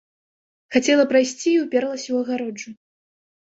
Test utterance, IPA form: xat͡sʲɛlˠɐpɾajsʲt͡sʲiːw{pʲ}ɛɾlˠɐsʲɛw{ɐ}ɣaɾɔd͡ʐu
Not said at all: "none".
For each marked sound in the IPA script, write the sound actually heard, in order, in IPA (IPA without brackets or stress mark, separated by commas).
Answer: pʲ, ɐ